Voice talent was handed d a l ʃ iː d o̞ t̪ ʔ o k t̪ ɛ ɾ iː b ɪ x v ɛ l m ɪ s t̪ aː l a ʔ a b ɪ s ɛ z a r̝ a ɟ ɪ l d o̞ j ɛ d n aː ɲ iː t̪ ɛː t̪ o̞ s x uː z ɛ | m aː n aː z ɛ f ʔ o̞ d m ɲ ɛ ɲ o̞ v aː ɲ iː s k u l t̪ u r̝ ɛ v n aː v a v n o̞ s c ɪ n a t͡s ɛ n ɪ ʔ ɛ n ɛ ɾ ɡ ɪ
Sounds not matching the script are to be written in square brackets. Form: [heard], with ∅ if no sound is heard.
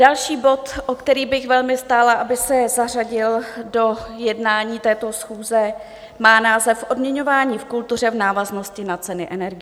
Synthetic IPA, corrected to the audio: d a l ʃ iː [b] o̞ t̪ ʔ o k t̪ ɛ ɾ iː b ɪ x v ɛ l m ɪ s t̪ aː l a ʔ a b ɪ s ɛ z a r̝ a ɟ ɪ l d o̞ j ɛ d n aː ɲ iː t̪ ɛː t̪ o̞ s x uː z ɛ | m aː n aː z ɛ f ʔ o̞ d m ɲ ɛ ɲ o̞ v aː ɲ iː [f] k u l t̪ u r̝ ɛ v n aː v a [z] n o̞ s c ɪ n a t͡s ɛ n ɪ ʔ ɛ n ɛ ɾ ɡ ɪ